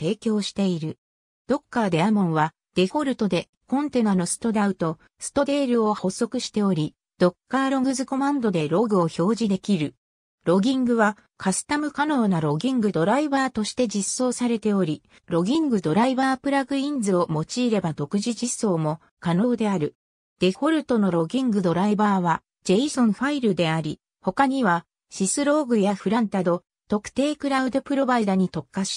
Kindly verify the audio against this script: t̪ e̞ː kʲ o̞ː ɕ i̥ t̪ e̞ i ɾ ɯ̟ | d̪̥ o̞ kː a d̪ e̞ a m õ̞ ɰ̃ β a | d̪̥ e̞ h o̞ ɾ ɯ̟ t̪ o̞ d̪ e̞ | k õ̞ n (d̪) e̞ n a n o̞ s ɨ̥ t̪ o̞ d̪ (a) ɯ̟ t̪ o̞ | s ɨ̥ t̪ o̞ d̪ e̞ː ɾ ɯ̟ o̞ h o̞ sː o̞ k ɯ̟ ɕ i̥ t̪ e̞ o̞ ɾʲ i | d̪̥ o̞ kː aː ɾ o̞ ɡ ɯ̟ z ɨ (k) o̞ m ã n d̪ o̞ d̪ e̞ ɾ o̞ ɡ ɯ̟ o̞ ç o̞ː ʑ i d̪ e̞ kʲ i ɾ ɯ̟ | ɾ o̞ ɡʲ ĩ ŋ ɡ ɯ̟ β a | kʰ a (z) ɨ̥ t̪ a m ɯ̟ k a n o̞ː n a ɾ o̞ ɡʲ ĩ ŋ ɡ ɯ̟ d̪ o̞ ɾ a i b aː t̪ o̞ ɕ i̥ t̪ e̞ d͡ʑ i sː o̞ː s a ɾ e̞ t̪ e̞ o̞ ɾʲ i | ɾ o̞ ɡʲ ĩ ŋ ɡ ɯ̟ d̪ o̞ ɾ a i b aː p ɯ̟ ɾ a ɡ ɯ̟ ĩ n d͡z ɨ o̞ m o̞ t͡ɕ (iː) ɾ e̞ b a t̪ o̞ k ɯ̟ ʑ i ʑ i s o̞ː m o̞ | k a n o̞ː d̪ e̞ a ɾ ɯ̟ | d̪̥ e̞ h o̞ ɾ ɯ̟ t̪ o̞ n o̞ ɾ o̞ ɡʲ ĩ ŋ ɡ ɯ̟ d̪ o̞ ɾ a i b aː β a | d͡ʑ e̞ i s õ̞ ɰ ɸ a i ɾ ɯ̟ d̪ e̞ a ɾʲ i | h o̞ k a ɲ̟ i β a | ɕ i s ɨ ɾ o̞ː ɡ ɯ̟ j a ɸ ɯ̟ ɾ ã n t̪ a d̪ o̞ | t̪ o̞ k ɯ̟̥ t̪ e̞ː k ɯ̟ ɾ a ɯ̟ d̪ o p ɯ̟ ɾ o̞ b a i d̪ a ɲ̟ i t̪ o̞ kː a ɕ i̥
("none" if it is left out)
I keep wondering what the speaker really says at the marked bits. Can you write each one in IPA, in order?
t̪, a, k, s, iː

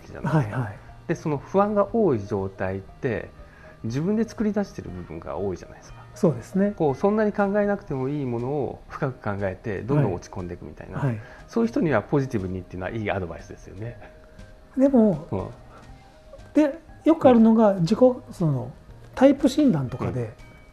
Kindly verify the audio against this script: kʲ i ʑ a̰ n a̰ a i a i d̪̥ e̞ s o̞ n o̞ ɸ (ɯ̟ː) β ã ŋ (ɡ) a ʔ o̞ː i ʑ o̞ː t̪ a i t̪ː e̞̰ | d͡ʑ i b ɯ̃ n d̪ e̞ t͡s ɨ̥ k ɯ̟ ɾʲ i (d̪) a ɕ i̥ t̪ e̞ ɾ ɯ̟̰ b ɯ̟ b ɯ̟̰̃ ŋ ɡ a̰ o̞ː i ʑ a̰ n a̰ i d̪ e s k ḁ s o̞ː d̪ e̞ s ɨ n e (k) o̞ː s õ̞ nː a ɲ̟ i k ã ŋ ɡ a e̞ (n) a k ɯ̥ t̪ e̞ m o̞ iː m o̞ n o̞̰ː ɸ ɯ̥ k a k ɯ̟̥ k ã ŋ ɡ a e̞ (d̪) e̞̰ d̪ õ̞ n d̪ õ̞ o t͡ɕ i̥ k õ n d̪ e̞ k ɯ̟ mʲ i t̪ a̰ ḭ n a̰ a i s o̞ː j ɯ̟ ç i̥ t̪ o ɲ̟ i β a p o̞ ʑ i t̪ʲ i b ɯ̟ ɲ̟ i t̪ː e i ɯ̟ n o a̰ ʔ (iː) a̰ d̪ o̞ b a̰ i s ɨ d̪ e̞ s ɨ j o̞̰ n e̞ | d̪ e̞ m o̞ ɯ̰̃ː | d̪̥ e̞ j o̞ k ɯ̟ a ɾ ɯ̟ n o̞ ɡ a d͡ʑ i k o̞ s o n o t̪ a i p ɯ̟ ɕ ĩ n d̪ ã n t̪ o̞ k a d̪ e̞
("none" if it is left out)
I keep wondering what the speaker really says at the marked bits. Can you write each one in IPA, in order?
ɯ̟, ɡ, d̪, k, n, t̪, iː

